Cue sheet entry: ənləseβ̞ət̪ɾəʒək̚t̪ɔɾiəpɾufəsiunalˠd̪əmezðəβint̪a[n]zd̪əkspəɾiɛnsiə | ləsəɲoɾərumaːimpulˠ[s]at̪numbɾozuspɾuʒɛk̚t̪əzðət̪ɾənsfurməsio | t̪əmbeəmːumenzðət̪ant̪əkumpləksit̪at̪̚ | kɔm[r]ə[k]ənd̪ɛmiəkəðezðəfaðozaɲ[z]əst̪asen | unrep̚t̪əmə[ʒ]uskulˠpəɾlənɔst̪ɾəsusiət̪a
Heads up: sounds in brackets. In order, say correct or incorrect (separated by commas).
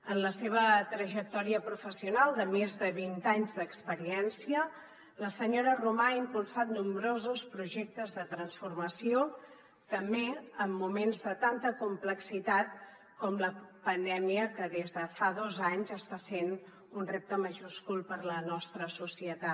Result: incorrect, correct, incorrect, incorrect, correct, correct